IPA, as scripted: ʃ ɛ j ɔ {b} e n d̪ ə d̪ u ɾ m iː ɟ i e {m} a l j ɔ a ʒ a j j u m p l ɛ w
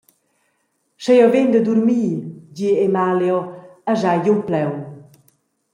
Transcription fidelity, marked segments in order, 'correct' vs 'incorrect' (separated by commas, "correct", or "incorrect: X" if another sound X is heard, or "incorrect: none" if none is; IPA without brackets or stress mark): incorrect: v, correct